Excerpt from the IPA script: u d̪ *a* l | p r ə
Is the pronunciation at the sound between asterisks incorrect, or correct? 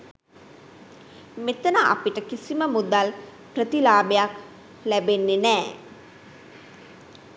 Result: correct